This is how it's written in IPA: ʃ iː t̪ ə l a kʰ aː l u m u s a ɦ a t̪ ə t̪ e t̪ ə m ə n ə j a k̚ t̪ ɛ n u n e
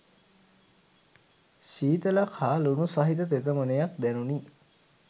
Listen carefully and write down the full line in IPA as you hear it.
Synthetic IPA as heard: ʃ iː t̪ ə l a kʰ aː l u n u s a ɦ i t̪ ə t̪ e t̪ ə m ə n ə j a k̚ d̪ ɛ n u n i